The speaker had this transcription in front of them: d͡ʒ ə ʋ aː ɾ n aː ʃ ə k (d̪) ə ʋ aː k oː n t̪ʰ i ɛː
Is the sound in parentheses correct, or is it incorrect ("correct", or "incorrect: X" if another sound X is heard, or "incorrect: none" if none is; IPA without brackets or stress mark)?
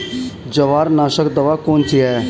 correct